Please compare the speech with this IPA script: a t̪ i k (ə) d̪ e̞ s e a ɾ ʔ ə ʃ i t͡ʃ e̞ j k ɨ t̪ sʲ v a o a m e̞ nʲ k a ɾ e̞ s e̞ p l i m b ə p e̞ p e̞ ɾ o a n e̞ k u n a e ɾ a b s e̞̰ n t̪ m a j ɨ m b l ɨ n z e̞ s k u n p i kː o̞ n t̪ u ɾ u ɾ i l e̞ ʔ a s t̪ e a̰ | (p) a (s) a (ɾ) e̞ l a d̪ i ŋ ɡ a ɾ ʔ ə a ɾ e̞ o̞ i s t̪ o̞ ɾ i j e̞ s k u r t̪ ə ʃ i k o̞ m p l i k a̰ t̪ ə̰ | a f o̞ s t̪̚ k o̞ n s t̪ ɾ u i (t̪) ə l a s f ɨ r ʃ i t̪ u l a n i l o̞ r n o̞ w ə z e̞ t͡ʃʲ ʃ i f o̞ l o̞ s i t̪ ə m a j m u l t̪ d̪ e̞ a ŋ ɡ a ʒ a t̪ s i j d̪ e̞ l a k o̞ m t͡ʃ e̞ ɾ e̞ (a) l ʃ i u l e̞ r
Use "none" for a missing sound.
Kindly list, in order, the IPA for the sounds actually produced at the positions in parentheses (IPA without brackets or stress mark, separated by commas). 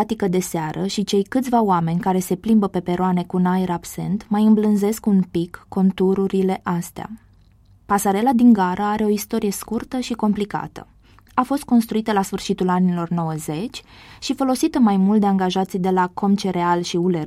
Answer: ə, p, s, ɾ, t̪, a